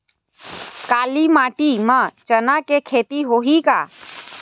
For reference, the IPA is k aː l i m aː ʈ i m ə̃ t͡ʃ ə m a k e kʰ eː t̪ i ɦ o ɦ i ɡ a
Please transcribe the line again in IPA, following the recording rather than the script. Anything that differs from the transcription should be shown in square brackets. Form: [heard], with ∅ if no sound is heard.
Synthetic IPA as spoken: k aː l i m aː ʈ i m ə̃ t͡ʃ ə [n] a k e kʰ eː t̪ i ɦ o ɦ i [k] a